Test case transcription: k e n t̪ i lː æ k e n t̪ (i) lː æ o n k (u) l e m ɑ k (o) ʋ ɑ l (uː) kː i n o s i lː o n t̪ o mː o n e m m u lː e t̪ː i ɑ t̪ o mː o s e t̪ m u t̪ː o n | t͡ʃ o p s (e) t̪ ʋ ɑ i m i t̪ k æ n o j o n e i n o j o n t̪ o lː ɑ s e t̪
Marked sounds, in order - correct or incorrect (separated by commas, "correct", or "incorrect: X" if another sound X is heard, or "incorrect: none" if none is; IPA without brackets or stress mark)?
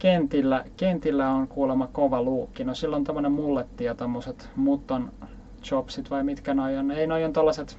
correct, incorrect: uː, correct, correct, incorrect: i